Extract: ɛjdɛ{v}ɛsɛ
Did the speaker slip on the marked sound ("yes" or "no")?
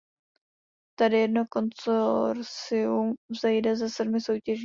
yes